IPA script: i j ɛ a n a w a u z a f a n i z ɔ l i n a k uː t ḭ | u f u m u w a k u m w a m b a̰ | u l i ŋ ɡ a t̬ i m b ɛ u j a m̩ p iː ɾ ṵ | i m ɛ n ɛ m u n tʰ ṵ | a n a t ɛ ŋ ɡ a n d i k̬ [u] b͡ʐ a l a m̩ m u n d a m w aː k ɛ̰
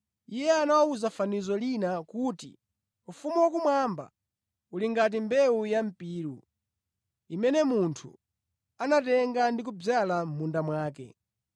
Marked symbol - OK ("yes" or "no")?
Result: yes